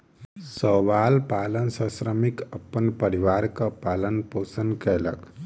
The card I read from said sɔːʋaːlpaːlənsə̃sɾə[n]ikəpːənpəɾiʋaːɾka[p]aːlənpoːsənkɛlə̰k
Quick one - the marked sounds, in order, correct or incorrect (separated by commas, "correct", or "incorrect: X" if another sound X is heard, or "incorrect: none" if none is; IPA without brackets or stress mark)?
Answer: incorrect: m, correct